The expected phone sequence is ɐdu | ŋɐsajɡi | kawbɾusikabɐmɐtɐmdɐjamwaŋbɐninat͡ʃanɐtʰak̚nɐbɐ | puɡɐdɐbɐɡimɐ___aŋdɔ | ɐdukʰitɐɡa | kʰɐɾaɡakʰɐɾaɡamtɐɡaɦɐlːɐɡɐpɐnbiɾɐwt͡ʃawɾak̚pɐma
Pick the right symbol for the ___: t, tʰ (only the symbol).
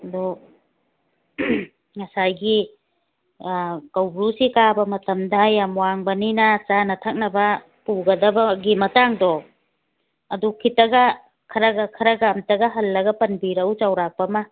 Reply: t